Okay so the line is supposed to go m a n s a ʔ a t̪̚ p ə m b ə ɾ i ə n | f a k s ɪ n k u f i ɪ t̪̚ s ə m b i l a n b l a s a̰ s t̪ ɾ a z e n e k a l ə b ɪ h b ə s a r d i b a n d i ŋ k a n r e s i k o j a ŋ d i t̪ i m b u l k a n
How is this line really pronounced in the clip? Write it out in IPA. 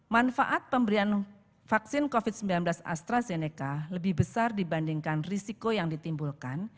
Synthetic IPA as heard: m a n f a ʔ a t̪̚ p ə m b ə ɾ i a n | f a k s ɪ n k o f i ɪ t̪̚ s ə m b i l a n b l a s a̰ s t̪ ɾ a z e n e k a l ə b ɪ h b ə s a r d i b a n d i ŋ k a n r i s i k o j a ŋ d i t̪ i m b u l k a n